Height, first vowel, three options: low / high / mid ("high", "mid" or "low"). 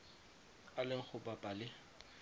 low